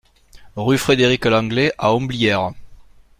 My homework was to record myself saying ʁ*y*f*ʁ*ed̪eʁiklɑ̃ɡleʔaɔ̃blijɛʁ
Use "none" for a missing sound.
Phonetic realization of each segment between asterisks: y, χ

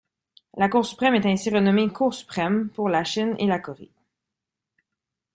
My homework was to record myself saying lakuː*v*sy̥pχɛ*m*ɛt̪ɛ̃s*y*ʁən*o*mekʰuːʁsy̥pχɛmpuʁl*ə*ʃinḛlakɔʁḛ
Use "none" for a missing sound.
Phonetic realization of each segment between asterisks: ʁ, m, i, ɔ, a

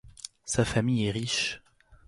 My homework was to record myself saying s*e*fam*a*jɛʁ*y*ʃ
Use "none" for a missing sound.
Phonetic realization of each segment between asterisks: a, i, i

